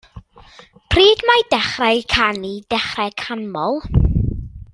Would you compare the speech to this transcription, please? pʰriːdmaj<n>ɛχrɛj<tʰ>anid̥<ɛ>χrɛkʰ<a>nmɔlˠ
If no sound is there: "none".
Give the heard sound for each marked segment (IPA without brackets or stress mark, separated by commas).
d, kʰ, ɛ, a